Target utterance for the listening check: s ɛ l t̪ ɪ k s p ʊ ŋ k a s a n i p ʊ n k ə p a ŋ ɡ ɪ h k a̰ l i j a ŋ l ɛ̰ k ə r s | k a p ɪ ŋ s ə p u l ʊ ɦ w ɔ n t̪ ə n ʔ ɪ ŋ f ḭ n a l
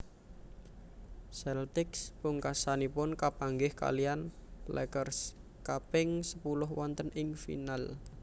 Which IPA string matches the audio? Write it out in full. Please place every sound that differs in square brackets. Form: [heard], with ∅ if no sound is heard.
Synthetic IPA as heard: s ɛ l t̪ ɪ k s p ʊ ŋ k a s a n i p ʊ n k [a] p a ŋ ɡ ɪ h k a̰ l i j a [n] l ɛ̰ k ə r s | k a p ɪ ŋ s ə p u l ʊ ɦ w ɔ n t̪ ə n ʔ ɪ ŋ f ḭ n a l